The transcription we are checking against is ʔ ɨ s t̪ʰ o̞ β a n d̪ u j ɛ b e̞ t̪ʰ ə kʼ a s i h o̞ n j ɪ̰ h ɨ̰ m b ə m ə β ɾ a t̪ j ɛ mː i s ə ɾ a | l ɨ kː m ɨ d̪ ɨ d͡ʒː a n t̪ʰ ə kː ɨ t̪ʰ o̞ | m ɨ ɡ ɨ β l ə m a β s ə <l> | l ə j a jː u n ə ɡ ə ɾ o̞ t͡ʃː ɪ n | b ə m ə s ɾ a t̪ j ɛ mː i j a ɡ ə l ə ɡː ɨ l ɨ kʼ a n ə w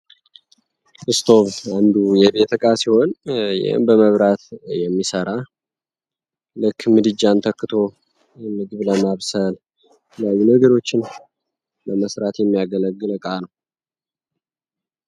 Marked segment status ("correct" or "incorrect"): correct